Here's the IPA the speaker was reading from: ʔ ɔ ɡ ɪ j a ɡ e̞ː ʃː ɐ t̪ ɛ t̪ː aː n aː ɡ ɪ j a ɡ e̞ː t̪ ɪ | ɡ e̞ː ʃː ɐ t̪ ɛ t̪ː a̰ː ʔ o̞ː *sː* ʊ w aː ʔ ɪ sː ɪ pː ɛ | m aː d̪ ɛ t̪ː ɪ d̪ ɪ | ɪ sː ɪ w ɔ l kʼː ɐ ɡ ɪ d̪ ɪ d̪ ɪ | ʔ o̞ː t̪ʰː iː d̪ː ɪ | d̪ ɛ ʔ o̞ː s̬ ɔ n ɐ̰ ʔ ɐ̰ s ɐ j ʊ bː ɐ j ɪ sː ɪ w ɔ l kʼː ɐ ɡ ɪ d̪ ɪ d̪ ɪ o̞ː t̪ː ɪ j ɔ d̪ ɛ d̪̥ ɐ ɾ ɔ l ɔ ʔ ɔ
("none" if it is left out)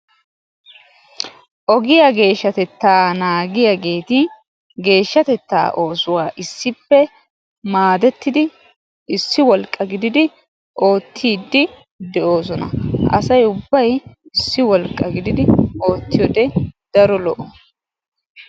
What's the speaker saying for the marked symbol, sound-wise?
s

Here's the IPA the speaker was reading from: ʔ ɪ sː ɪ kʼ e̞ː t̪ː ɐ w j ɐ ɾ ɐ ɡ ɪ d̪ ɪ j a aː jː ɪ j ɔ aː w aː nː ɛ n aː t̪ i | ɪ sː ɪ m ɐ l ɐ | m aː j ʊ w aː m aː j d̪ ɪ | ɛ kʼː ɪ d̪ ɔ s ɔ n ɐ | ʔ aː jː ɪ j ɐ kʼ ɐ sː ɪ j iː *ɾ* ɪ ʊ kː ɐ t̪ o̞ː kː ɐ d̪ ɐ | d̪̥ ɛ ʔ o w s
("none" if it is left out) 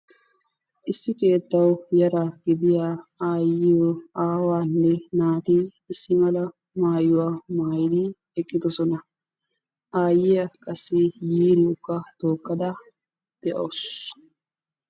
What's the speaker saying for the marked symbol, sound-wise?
ɾ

